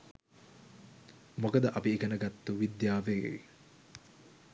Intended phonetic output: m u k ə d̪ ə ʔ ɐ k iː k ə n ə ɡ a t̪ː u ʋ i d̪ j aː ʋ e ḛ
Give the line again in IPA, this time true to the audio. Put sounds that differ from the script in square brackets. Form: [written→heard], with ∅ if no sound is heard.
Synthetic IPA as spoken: m [u→o] k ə d̪ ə ʔ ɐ [k→p] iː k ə n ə ɡ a t̪ː u ʋ i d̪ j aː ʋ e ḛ